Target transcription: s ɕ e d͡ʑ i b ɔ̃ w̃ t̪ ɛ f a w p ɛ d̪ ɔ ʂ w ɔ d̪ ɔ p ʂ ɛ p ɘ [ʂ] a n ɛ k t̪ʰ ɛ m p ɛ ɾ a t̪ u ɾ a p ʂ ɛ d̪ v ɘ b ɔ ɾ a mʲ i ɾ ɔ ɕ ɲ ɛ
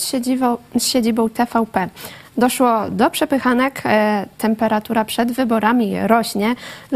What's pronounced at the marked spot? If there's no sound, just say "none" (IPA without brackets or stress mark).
x